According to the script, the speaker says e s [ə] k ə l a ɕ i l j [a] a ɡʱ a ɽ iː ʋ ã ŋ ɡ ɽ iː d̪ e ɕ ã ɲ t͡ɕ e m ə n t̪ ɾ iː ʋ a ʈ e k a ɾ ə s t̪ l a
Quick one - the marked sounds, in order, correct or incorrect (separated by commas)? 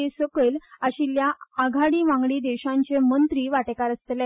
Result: correct, correct